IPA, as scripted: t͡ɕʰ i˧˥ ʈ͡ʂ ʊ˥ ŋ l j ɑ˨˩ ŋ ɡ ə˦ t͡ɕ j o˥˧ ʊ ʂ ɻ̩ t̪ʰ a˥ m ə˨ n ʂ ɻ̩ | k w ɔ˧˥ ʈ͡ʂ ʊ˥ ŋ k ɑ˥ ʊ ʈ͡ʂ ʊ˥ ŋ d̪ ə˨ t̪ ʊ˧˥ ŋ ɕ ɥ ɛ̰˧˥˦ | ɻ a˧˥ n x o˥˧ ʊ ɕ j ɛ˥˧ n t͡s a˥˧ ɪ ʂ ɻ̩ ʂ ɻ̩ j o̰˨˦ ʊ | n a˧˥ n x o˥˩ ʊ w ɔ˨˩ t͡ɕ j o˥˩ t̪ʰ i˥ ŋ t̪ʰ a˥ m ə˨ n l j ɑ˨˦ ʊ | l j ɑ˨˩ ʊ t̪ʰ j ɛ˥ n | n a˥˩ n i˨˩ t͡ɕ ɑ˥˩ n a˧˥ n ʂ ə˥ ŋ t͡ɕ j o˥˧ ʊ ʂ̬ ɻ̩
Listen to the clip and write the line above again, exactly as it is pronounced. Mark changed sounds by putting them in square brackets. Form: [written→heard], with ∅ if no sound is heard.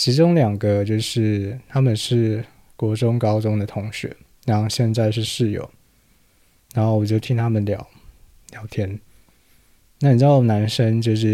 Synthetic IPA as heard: t͡ɕʰ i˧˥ ʈ͡ʂ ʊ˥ ŋ l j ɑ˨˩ ŋ ɡ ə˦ t͡ɕ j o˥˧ ʊ ʂ ɻ̩ t̪ʰ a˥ m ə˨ n ʂ ɻ̩ | k w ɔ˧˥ ʈ͡ʂ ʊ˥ ŋ k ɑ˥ ʊ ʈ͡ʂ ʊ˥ ŋ d̪ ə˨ [t̪→t̪ʰ] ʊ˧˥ ŋ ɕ ɥ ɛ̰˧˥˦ | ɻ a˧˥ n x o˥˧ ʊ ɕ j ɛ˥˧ n t͡s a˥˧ ɪ ʂ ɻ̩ ʂ ɻ̩ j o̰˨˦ ʊ | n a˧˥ n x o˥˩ ʊ w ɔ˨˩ t͡ɕ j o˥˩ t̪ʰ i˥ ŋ t̪ʰ a˥ m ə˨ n l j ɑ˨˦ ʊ | l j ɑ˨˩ ʊ t̪ʰ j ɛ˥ n | n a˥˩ n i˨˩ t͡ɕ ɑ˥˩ n a˧˥ n ʂ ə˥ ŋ t͡ɕ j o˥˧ ʊ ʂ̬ ɻ̩